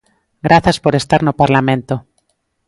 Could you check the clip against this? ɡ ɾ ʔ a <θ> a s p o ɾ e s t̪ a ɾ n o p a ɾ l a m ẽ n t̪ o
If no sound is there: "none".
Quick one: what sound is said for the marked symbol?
θ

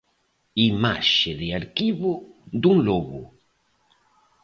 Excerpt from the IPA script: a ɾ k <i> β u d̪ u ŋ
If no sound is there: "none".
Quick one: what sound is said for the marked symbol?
i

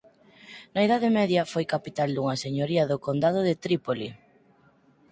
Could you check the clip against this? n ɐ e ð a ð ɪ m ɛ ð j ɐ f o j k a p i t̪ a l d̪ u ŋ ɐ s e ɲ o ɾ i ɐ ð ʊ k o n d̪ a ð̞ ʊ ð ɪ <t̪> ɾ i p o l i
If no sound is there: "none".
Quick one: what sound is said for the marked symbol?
t̪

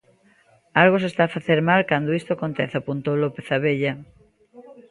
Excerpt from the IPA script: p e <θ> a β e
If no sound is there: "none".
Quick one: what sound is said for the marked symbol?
θ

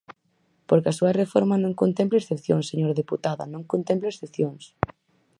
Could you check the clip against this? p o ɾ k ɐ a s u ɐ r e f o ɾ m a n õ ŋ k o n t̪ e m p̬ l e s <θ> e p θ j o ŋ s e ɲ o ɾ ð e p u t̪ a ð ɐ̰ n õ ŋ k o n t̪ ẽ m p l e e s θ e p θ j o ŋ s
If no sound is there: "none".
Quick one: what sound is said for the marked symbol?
θ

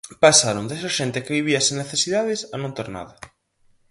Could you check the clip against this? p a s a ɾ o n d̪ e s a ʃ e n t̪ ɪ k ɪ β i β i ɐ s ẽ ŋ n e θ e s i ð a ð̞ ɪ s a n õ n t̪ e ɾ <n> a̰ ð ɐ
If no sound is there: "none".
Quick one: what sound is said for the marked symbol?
n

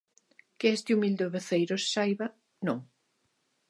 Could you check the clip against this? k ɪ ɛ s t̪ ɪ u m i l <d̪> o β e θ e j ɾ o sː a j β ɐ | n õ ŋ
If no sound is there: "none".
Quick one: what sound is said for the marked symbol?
d̪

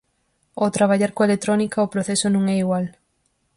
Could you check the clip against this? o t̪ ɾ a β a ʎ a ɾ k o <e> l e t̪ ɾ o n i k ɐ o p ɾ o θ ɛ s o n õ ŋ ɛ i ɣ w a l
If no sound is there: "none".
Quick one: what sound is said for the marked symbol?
e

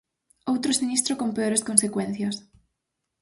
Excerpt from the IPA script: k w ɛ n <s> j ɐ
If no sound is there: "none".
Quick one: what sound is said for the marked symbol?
θ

